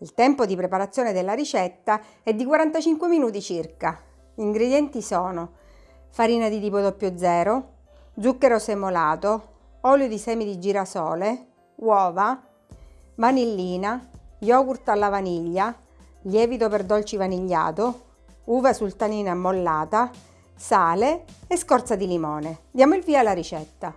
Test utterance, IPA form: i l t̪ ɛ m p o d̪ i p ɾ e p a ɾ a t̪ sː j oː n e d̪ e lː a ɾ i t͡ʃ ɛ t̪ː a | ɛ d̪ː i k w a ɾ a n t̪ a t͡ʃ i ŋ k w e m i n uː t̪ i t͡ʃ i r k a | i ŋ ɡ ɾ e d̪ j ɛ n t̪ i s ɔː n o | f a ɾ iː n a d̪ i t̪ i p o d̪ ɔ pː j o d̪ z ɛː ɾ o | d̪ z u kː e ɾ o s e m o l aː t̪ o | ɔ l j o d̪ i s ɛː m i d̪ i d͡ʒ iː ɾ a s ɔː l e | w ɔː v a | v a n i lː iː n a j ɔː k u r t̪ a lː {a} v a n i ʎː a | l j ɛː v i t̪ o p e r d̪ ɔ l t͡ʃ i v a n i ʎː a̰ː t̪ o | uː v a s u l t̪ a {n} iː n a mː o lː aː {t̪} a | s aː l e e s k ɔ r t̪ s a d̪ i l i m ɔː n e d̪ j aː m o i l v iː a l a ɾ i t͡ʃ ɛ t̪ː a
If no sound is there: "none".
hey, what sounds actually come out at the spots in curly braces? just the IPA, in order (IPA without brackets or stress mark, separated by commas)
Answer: a, n, t̪